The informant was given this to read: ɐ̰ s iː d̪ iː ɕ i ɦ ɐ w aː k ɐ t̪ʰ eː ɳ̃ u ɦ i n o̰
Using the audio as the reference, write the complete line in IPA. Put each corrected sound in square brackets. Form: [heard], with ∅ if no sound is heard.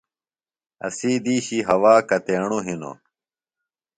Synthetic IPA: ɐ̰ s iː d̪ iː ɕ i ɦ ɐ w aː k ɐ [t̪] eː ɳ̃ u ɦ i n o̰

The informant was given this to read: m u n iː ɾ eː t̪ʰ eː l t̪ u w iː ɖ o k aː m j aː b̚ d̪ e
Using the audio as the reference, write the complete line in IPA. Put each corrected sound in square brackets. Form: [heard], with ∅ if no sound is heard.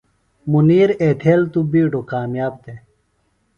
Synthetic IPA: m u n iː ɾ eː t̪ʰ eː l t̪ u [b] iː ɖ o k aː m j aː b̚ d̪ e

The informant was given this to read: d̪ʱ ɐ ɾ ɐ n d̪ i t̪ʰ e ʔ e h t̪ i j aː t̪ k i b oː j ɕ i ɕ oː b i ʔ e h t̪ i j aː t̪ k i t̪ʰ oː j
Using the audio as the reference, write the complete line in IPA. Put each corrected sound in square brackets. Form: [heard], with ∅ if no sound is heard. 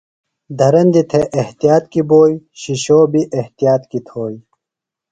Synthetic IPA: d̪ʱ ɐ ɾ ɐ n d̪ i t̪ʰ e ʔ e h t̪ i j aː t̪ k i b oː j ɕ i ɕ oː b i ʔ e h t̪ i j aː t̪ k i t̪ʰ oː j

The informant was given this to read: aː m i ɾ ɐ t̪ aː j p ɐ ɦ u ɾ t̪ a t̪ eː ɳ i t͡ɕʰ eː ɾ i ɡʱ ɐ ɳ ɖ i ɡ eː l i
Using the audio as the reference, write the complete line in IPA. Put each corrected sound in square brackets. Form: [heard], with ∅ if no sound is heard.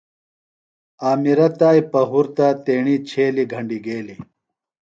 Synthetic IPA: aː m i ɾ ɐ t̪ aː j p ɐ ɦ u ɾ t̪ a t̪ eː ɳ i t͡ɕʰ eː [l] i ɡʱ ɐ ɳ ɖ i ɡ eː l i

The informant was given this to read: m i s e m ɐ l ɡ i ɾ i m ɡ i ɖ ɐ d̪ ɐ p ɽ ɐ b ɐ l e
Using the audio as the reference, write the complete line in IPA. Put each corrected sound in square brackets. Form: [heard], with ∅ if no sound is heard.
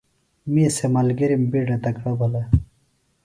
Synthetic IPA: m i s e m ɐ l ɡ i ɾ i m [b] i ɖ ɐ [t̪] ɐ [k] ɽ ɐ b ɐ l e

